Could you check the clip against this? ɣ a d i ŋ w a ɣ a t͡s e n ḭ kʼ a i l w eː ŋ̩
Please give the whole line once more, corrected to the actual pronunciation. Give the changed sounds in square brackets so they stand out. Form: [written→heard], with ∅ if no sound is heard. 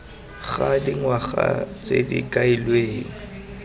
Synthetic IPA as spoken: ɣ a d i ŋ w a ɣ a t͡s e [n→d] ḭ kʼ a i l w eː ŋ̩